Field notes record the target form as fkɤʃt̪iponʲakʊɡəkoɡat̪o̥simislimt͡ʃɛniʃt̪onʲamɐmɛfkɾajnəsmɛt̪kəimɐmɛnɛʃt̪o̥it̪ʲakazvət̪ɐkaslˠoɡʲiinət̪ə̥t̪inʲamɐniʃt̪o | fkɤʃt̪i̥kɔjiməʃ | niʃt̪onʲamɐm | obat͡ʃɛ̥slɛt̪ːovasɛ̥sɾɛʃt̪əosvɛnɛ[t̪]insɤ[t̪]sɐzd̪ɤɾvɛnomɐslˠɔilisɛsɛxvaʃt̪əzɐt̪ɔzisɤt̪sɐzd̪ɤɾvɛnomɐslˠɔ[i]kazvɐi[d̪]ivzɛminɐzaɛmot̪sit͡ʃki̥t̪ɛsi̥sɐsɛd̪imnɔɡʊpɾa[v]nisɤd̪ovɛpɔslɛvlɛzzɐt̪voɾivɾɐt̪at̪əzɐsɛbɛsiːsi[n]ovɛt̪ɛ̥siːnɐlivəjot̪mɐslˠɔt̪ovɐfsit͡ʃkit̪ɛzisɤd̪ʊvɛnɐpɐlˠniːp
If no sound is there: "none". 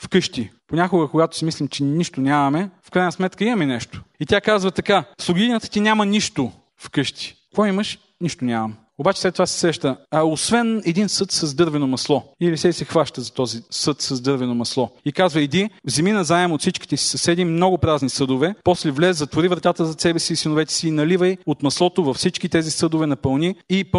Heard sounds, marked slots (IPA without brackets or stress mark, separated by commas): d̪, t̪, i, d̪, z, n